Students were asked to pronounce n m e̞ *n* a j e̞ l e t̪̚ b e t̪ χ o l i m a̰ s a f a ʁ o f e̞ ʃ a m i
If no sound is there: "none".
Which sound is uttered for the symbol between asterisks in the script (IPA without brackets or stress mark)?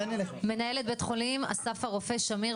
n